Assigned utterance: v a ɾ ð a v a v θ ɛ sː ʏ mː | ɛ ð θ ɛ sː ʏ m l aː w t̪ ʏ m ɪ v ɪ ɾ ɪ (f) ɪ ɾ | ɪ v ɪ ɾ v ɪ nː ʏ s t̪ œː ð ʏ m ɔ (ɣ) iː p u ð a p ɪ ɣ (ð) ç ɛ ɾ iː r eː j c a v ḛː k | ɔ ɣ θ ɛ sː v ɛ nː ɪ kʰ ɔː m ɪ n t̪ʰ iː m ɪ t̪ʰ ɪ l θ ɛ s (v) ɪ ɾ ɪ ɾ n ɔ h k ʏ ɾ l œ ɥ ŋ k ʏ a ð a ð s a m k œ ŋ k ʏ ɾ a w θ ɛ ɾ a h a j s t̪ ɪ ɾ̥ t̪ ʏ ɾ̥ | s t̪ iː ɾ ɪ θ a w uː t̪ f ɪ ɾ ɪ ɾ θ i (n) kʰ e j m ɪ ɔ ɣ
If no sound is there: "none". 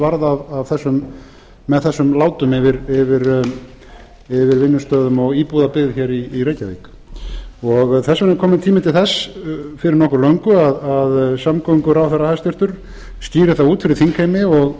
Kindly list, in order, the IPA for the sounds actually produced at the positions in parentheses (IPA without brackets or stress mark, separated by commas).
v, ɣ, ð, f, ŋ